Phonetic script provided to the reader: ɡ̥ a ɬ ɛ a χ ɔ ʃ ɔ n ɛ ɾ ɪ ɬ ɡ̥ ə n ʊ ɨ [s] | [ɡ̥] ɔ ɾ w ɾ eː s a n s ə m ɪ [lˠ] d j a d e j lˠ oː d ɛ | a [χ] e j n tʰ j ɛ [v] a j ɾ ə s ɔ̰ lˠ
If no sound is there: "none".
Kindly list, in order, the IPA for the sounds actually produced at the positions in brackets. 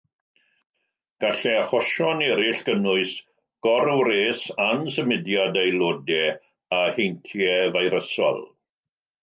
s, ɡ̥, none, h, v

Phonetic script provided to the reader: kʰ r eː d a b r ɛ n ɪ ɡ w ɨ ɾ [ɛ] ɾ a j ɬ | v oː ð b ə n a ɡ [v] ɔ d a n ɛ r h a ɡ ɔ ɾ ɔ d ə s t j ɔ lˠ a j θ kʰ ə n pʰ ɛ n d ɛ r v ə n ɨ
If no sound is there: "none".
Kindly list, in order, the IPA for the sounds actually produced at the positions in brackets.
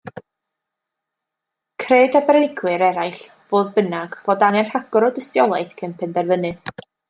ɛ, v

